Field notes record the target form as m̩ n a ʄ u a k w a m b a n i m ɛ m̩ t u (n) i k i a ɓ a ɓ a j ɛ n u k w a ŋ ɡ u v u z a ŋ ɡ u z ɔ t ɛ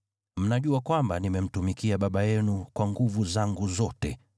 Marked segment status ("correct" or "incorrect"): incorrect